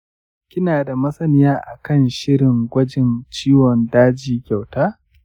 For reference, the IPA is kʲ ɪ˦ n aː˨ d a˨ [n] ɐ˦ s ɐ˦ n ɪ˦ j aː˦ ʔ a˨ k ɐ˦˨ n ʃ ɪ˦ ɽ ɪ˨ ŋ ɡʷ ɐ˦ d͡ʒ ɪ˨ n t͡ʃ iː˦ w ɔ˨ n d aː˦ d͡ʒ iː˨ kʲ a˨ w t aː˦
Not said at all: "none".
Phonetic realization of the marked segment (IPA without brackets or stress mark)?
m